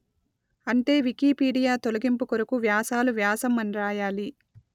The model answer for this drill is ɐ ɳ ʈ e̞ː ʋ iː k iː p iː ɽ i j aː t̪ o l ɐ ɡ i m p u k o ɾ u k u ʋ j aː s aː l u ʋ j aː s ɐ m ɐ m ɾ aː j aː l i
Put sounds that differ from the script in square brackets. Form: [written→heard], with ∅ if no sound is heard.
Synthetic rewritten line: ɐ ɳ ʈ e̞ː ʋ [iː→i] k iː p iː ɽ i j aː t̪ o l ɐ ɡ i m p u k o ɾ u k u ʋ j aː s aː l u ʋ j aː s ɐ m ɐ [m→n] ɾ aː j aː l i